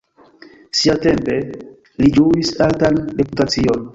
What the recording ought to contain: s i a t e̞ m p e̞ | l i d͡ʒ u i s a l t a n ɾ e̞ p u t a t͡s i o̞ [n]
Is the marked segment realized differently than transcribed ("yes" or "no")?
no